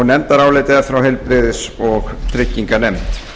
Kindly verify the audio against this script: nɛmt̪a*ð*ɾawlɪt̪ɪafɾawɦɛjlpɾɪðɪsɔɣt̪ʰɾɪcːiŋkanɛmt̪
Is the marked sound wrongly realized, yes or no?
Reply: yes